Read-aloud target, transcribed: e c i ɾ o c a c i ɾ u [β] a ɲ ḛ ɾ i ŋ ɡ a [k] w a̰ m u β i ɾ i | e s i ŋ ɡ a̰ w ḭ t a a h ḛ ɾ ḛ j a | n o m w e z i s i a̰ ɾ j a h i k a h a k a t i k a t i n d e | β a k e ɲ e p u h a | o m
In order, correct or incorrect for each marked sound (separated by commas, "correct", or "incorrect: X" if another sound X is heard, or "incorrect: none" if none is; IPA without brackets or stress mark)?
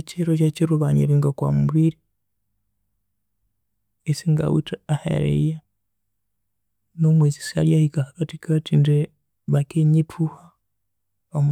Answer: correct, correct